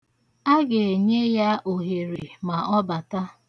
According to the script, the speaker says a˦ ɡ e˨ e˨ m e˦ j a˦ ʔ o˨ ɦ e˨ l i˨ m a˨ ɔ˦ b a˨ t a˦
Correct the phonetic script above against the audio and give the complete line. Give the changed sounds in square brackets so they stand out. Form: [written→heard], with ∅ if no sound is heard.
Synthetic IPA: a˦ ɡ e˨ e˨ [m→ɲ] e˦ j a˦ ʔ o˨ ɦ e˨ [l→ɾ] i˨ m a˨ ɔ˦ b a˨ t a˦